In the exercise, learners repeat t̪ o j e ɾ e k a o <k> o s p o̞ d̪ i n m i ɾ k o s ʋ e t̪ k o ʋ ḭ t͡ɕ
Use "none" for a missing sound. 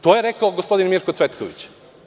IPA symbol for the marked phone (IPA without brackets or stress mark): ɡ